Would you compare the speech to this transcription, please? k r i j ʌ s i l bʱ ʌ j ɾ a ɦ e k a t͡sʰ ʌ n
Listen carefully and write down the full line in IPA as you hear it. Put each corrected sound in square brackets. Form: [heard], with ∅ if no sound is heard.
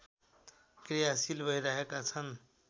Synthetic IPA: k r i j [a] s i l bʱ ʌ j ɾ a ɦ e k a t͡sʰ ʌ n